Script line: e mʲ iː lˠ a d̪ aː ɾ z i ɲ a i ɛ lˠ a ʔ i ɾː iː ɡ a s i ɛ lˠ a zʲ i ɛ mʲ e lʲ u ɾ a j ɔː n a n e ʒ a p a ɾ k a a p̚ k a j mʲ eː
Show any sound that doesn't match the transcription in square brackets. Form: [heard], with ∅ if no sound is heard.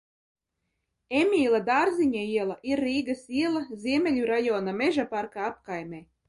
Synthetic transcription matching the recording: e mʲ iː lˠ a d̪ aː ɾ z i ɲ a i ɛ lˠ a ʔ i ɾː iː ɡ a s i ɛ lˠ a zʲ i ɛ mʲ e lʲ u ɾ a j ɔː n a [m] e ʒ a p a ɾ k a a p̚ k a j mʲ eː